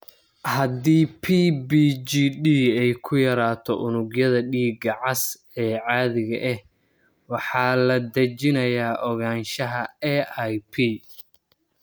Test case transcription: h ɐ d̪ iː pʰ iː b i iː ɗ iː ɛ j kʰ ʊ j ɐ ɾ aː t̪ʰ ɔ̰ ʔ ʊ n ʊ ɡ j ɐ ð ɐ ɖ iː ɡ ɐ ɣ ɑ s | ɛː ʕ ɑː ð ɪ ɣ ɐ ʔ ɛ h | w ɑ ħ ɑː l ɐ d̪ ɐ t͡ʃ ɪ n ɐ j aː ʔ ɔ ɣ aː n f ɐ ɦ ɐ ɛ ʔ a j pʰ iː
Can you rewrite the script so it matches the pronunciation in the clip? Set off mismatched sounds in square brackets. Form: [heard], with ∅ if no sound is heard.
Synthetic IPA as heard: h ɐ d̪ iː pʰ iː b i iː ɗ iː ɛ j kʰ ʊ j ɐ ɾ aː t̪ʰ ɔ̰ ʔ ʊ n ʊ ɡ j ɐ ð ɐ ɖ iː ɡ ɐ [ʕ] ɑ s | ɛː ʕ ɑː ð ɪ ɣ ɐ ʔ ɛ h | w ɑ ħ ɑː l ɐ d̪ ɐ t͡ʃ ɪ n ɐ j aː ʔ ɔ ɣ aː n [ʃ] ɐ ɦ ɐ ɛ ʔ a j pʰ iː